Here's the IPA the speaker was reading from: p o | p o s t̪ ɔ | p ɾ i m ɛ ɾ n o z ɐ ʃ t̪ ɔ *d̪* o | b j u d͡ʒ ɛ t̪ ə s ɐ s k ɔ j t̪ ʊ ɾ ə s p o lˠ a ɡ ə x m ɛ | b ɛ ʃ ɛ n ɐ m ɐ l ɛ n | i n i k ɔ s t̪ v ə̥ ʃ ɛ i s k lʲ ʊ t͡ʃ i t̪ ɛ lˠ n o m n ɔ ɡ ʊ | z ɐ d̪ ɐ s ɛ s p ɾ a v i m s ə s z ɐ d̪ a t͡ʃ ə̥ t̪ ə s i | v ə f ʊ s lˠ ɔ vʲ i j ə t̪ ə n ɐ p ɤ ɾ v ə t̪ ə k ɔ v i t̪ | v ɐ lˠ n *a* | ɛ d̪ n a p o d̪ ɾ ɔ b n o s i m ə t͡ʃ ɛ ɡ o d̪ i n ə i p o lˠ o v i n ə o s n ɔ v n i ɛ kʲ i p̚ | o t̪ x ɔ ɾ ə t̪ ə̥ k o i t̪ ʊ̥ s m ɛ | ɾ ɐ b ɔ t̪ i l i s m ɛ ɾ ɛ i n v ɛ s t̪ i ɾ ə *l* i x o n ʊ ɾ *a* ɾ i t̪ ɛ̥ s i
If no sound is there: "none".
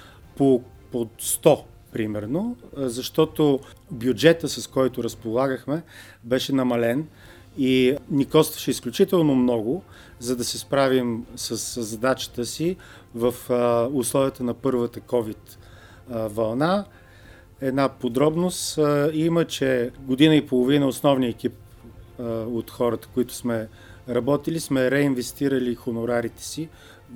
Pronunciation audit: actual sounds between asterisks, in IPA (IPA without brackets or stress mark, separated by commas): t̪, a, l, a